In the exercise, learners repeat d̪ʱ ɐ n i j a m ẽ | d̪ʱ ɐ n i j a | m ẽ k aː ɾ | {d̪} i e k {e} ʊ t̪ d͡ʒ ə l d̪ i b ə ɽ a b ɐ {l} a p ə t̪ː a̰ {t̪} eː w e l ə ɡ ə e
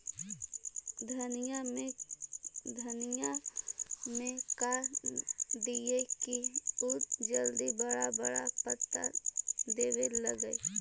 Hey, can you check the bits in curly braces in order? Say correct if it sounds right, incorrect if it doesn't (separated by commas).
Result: correct, incorrect, incorrect, incorrect